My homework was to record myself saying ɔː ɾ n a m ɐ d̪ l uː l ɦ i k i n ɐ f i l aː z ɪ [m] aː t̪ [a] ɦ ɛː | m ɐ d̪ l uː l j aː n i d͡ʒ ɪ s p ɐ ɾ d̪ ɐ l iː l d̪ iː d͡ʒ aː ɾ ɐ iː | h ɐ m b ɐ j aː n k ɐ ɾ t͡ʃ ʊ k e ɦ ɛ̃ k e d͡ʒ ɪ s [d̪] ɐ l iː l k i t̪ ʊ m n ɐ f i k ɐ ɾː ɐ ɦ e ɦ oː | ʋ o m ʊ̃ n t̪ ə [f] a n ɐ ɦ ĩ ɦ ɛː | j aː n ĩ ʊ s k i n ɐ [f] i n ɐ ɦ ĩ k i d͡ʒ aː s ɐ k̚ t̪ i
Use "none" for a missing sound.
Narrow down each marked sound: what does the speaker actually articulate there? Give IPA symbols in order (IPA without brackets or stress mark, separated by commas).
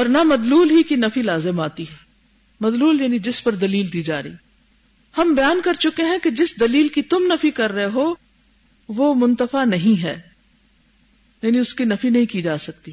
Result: m, i, d̪, f, f